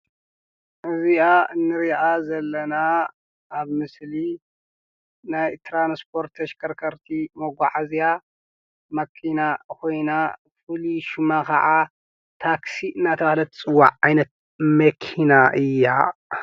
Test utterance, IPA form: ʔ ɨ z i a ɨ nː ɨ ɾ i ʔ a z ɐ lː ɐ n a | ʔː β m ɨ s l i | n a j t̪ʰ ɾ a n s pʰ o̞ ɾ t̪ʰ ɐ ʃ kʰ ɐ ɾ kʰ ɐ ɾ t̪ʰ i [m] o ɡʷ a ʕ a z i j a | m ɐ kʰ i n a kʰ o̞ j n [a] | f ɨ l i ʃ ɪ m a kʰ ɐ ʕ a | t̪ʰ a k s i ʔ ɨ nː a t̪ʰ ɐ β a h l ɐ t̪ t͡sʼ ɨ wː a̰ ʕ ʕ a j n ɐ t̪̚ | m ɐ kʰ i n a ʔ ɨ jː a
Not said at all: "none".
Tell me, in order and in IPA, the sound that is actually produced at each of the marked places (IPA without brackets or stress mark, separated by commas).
m, a